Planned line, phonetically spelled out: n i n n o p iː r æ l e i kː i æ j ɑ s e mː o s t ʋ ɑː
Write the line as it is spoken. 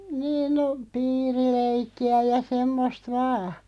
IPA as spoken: n iː n n o p iː r i l e i kː i æ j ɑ s e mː o s t ʋ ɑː

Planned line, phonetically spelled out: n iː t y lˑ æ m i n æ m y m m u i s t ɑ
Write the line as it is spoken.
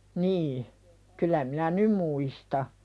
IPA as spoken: n iː k y lˑ æ m i n æ n y m m u i s t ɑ

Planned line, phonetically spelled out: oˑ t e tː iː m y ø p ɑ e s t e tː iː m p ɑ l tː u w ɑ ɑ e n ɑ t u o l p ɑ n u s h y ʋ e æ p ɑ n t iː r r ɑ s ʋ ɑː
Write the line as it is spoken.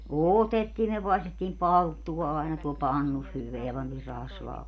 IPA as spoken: oˑ t e tː iː m y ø p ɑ e s t e tː iː m p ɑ l tː u w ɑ ɑ e n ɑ t u o l p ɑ nː u s h y ʋ e æ p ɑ n t iː r r ɑ s ʋ ɑː

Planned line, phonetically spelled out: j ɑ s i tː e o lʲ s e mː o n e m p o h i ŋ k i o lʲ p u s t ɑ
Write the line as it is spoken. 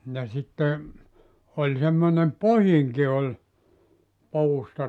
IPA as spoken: j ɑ s i tː e o lʲ s e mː o n e m p o h i ŋ k i o lʲ p uː s t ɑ

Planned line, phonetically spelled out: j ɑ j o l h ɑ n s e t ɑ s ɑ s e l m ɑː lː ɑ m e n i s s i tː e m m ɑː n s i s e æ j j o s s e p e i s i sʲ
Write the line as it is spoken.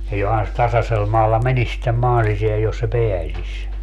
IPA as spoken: j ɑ j o h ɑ n s e t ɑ s ɑ s e l m ɑː lː ɑ m e n i s s i tː e m m ɑː n s i s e æ j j o s s e p e æ s i sʲ

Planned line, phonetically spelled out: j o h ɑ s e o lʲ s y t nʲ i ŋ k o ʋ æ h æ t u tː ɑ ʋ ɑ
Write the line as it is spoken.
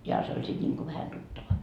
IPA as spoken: j o h ɑ s e o lʲ s i t nʲ i ŋ k o ʋ æ h æ t u tː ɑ ʋ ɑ

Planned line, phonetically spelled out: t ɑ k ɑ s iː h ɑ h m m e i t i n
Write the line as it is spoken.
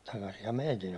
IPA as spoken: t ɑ k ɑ s i h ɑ m m e i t i n

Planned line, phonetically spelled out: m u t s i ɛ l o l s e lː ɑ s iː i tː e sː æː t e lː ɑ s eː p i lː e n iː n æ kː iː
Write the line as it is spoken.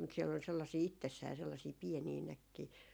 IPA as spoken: m u t s i ɛ l o l s e lː ɑ s iː i tː e sː æː s e lː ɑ s iː p i e n iː n æ kː iː

